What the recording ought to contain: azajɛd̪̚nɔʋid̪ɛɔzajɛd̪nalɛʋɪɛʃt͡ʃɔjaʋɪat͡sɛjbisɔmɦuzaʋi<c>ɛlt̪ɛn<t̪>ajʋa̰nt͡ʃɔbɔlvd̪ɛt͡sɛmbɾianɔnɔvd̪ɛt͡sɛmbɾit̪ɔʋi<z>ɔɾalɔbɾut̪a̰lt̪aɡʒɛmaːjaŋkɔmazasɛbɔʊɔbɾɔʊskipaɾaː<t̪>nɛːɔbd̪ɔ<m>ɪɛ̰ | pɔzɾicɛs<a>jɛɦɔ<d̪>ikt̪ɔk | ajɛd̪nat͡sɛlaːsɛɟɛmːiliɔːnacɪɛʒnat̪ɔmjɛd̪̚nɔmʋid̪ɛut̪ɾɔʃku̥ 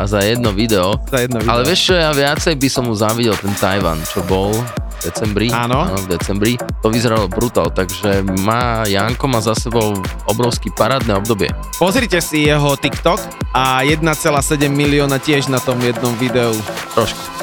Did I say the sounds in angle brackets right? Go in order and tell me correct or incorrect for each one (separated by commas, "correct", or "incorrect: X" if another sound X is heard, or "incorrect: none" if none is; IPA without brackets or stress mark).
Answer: incorrect: ɟ, correct, correct, incorrect: d̪, incorrect: b, incorrect: i, incorrect: t̪